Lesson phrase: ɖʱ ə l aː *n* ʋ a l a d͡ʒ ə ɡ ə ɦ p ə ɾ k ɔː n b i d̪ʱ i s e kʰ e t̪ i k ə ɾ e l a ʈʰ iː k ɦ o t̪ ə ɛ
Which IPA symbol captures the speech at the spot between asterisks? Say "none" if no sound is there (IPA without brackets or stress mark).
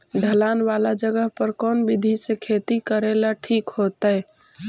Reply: n